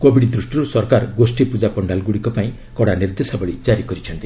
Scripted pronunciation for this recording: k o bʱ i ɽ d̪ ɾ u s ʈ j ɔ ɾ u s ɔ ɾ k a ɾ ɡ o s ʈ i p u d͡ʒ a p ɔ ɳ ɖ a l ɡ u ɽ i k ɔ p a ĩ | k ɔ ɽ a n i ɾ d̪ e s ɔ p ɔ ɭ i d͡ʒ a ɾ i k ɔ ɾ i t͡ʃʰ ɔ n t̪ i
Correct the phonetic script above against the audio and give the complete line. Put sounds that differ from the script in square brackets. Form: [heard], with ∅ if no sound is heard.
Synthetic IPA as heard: k o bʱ i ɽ d̪ ɾ u s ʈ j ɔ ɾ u s ɔ ɾ k a ɾ ɡ o s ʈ i p u d͡ʒ a p ɔ ɳ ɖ a l ɡ u ɽ i k ɔ p a ĩ | k ɔ ɽ a n i ɾ d̪ e s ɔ [b] ɔ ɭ i d͡ʒ a ɾ i k ɔ ɾ i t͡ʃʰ ɔ n t̪ i

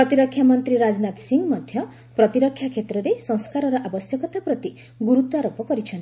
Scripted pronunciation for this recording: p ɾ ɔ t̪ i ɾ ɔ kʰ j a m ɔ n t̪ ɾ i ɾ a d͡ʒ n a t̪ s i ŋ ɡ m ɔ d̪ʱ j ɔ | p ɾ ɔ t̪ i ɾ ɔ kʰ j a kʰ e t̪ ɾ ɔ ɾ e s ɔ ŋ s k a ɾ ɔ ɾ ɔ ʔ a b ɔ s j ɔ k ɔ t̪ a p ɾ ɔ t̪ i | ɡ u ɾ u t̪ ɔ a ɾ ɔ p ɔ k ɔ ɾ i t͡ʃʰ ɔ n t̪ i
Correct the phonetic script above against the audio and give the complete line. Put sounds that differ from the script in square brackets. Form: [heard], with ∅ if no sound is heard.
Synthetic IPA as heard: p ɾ ɔ t̪ i ɾ ɔ kʰ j a m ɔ n t̪ ɾ i ɾ a d͡ʒ n a t̪ s i ŋ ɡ m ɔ d̪ʱ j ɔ | p ɾ ɔ t̪ i ɾ ɔ kʰ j a kʰ e t̪ ɾ ɔ ɾ e s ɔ ŋ s k a ɾ ɔ ɾ ɔ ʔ a b ɔ s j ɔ k ɔ t̪ a p ɾ ɔ t̪ i | ɡ u ɾ u t̪ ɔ a ɾ [o] p ɔ k ɔ ɾ i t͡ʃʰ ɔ n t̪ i

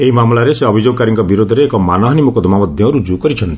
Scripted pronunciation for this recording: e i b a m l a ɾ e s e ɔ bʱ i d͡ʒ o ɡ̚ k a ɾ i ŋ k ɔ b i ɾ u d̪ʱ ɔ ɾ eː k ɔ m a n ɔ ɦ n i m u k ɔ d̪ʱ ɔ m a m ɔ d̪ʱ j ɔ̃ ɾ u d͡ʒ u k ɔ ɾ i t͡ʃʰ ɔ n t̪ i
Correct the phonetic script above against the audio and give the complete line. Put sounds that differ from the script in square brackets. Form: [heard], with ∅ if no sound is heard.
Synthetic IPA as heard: e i [m] a m l a ɾ e s e ɔ bʱ i d͡ʒ o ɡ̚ k a ɾ i ŋ k ɔ b i ɾ [o] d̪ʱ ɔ ɾ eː k ɔ m a n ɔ ɦ n i m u k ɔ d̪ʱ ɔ m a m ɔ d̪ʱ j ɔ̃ ɾ u d͡ʒ u k ɔ ɾ i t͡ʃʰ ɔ n t̪ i

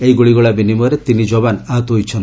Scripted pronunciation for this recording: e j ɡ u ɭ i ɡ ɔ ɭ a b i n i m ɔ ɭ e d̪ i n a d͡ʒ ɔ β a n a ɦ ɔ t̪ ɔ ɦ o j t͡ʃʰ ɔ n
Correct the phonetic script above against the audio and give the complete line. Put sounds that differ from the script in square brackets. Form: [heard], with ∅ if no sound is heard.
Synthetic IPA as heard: e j ɡ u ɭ i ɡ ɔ ɭ a b i n i m ɔ [ɾ] e [t̪] i n [i] d͡ʒ ɔ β a n a ɦ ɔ t̪ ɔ ɦ o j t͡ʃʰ ɔ n

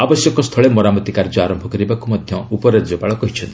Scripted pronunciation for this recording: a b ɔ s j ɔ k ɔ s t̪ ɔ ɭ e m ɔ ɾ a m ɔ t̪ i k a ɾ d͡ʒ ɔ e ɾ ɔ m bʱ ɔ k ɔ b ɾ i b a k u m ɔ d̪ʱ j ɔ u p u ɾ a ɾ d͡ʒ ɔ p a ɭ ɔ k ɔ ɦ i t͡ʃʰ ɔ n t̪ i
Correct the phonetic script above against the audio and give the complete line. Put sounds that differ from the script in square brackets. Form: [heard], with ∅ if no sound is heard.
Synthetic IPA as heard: a b ɔ s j ɔ k ɔ s [t̪ʰ] ɔ ɭ e m ɔ ɾ a m ɔ t̪ i k a ɾ d͡ʒ ɔ [a] ɾ ɔ m bʱ ɔ k ɔ [∅] ɾ i b a k u m ɔ d̪ʱ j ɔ u p [ɔ] ɾ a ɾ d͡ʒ ɔ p a ɭ ɔ k ɔ ɦ i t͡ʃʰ ɔ n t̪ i

